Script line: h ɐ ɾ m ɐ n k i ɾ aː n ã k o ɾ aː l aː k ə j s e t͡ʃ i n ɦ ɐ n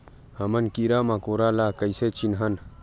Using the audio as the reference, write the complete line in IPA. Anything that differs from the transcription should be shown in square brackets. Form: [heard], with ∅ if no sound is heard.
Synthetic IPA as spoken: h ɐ [∅] m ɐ n k i ɾ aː [m] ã k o ɾ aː l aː k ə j s e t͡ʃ i n ɦ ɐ n